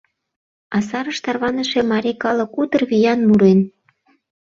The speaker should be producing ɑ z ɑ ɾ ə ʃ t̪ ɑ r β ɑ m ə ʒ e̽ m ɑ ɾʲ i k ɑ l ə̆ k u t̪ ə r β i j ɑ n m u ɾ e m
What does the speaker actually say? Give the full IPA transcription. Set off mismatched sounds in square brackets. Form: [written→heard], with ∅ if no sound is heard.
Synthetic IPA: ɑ [z→s] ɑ ɾ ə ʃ t̪ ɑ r β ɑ [m→n] ə [ʒ→ʃ] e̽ m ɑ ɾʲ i k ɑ l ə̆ k u t̪ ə r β i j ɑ n m u ɾ e [m→n]